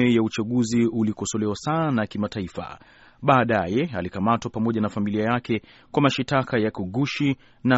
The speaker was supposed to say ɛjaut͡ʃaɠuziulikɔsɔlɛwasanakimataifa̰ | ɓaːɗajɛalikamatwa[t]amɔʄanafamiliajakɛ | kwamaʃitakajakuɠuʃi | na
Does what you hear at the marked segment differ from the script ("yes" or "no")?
yes